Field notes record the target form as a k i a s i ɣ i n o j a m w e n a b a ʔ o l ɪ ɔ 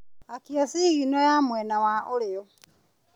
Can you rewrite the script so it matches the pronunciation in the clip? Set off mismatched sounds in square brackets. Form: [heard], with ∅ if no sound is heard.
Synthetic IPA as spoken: a k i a s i ɣ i n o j a m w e n a [w] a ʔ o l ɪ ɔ